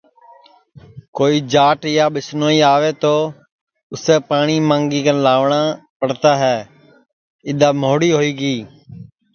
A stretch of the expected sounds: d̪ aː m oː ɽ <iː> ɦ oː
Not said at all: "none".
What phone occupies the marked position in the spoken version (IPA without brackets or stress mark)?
iː